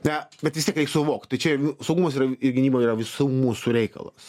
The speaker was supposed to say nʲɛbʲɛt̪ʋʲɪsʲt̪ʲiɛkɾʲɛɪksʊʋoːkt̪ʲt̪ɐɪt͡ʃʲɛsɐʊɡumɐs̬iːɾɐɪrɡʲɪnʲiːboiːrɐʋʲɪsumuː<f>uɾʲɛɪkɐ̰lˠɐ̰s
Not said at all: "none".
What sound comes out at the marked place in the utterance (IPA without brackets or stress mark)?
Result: s